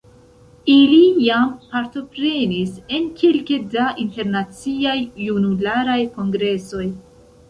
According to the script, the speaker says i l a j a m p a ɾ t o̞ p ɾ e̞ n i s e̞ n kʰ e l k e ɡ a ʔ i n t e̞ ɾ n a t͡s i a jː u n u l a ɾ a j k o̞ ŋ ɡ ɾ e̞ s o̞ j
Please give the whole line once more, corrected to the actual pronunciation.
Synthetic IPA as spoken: i l i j a m p a ɾ t o̞ p ɾ e̞ n i s e̞ n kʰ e l k e d a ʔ i n t e̞ ɾ n a t͡s i a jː u n u l a ɾ a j k o̞ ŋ ɡ ɾ e̞ s o̞ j